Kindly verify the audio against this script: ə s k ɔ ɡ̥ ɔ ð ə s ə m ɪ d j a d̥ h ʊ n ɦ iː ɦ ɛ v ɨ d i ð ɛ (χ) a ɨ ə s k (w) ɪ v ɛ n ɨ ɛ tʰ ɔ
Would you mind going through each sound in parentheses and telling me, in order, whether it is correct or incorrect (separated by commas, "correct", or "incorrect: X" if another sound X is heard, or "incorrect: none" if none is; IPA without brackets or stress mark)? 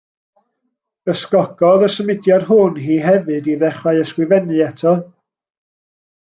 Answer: correct, correct